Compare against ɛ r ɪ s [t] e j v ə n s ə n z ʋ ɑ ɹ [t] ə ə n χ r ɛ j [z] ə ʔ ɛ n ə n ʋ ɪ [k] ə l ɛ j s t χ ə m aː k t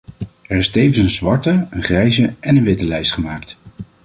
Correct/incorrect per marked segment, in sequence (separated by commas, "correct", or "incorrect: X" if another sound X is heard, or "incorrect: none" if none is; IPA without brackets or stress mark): correct, correct, correct, incorrect: t